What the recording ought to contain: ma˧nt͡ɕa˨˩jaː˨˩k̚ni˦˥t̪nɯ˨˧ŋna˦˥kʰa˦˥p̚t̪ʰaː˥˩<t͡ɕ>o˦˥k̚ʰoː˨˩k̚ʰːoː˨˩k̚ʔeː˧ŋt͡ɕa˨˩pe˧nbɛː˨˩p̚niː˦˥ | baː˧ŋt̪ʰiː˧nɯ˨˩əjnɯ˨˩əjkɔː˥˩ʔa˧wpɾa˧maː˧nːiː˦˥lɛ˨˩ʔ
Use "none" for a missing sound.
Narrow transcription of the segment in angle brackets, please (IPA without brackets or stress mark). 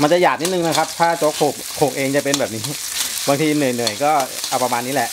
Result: t͡ɕ